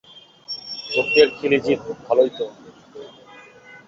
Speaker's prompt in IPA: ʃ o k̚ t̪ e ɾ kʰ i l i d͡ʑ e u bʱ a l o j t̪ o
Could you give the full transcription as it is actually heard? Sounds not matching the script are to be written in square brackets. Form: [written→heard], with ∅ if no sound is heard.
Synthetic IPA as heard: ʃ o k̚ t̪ e ɾ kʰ i l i d͡ʑ [e→i] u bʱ a l o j t̪ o